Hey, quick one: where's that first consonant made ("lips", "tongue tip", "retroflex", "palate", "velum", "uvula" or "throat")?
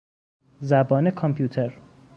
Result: tongue tip